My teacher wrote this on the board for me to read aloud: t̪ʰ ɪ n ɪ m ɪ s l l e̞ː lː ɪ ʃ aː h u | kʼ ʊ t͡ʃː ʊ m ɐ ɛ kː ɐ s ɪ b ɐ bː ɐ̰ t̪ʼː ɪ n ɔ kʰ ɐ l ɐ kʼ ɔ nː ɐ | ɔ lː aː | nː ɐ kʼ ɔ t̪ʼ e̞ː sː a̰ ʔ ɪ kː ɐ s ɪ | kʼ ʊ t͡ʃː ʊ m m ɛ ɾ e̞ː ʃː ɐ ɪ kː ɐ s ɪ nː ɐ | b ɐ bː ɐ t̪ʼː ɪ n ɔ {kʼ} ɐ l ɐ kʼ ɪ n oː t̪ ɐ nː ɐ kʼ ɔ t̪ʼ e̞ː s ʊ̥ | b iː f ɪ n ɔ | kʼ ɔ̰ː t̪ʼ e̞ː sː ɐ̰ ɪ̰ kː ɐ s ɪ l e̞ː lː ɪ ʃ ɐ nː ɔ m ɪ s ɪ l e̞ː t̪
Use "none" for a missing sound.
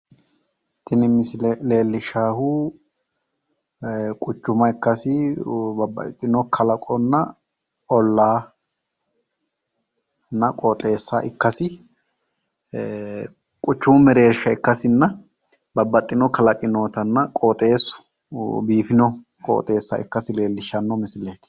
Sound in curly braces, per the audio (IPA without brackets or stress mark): k